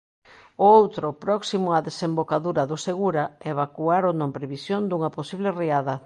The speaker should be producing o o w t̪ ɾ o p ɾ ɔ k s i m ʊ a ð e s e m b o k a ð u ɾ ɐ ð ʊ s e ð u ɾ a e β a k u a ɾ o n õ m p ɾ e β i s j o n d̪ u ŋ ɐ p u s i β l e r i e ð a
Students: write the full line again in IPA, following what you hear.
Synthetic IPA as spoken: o o w t̪ ɾ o p ɾ ɔ k s i m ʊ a ð e s e m b o k a ð u ɾ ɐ ð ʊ s e ɣ u ɾ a e β a k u a ɾ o n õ m p ɾ e β i s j o n d̪ u ŋ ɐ p o s i β l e r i a ð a